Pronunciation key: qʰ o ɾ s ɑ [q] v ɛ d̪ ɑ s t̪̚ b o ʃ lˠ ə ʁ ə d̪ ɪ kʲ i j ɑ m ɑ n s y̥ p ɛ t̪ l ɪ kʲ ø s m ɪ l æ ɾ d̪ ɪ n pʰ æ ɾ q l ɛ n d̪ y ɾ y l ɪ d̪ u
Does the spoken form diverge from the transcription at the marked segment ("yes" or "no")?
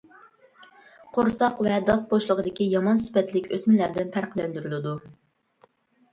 no